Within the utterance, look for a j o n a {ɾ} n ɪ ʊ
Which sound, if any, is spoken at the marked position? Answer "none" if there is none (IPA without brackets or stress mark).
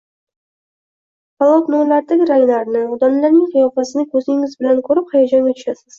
ɾ